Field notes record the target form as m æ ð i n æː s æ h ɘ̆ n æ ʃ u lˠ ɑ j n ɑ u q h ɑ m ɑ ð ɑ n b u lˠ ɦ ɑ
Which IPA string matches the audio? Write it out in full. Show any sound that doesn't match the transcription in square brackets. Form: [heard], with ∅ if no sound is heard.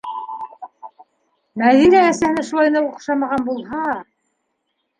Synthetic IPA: m æ ð i n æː s æ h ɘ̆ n æ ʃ u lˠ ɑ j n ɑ u q [ʃ] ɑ m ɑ [ʁ] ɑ n b u lˠ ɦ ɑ

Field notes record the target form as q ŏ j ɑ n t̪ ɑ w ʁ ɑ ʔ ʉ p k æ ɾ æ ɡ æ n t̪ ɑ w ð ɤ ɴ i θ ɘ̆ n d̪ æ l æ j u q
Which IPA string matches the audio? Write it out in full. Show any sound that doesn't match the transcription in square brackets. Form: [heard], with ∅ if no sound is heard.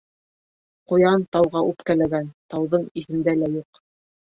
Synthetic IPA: q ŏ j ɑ n t̪ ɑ w ʁ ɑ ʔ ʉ p k æ [l] æ ɡ æ n t̪ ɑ w ð ɤ ɴ i θ ɘ̆ n d̪ æ l æ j u q

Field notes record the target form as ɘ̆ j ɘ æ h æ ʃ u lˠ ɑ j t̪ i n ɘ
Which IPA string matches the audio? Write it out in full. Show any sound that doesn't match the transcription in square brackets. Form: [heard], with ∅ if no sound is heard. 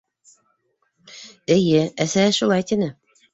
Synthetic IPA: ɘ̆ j ɘ æ [s] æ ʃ u lˠ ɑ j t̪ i n ɘ

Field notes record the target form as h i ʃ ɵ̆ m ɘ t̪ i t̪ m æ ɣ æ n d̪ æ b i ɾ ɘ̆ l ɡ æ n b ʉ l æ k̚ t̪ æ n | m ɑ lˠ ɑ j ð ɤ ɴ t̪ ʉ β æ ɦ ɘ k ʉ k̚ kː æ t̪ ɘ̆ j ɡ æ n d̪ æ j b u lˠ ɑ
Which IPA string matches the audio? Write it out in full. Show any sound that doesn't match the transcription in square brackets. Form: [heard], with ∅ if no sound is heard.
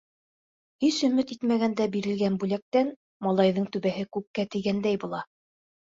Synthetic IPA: h i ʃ ɵ̆ m ɘ t̪ i t̪ m æ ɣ æ n d̪ æ b i ɾ ɘ̆ l ɡ æ n b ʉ l æ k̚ t̪ æ n | m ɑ lˠ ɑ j ð ɤ ɴ t̪ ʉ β æ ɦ ɘ k ʉ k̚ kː æ t̪ ɘ̆ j ɡ æ n d̪ æ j b u lˠ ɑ

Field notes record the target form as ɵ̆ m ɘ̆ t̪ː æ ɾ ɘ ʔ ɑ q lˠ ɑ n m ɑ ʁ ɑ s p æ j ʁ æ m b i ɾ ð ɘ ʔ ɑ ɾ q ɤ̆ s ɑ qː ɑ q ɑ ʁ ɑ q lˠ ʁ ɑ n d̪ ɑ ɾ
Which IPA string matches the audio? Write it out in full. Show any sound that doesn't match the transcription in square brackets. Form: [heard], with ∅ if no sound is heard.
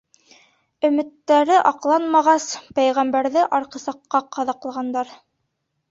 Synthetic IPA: ɵ̆ m ɘ̆ t̪ː æ ɾ ɘ ʔ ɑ q lˠ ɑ n m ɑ ʁ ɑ s p æ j ʁ æ m b [æ] ɾ ð ɘ ʔ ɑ ɾ q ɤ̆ s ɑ qː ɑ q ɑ [ð] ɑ q lˠ ʁ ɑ n d̪ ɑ ɾ

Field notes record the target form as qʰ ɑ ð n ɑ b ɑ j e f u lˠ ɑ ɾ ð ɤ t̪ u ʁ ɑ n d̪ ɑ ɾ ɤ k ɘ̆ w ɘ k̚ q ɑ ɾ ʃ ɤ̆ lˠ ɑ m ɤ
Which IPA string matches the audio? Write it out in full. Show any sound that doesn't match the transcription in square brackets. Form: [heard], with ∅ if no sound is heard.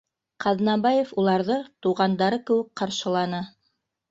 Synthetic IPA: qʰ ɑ ð n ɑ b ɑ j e f u lˠ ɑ ɾ ð ɤ t̪ u ʁ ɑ n d̪ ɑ ɾ ɤ k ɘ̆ w ɘ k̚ q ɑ ɾ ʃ ɤ̆ lˠ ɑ [n] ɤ

